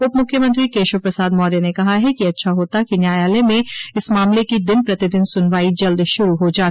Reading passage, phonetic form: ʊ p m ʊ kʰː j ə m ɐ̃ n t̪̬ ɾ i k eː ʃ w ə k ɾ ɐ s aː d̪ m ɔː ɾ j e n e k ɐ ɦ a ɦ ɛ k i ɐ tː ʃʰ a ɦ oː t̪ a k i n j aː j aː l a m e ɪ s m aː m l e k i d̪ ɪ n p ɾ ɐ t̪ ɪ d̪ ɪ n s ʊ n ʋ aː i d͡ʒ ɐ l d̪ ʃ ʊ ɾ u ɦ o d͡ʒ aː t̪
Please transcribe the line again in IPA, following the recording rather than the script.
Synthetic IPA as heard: ʊ p m ʊ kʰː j ə m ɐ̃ n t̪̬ ɾ i k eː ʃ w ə p ɾ ɐ s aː d̪ m ɔː ɾ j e n e k ɐ ɦ a ɦ ɛ k i ɐ tː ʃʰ a ɦ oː t̪ a k i n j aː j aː l e m ẽ ɪ s m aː m l e k i d̪ ɪ n p ɾ ɐ t̪ ɪ d̪ ɪ n s ʊ n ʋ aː i d͡ʒ ɐ l d̪ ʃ ʊ ɾ u ɦ o d͡ʒ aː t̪